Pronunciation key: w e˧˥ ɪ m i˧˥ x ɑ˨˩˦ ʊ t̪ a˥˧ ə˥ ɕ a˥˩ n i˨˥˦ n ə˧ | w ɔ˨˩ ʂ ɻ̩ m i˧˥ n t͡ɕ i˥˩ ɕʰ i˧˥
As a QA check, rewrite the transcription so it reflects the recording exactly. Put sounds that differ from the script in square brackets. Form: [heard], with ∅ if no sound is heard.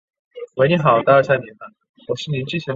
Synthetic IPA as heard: w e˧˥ ɪ [n] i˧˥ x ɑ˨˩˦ ʊ t̪ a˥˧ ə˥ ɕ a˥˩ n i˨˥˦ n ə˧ | w ɔ˨˩ ʂ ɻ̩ [n] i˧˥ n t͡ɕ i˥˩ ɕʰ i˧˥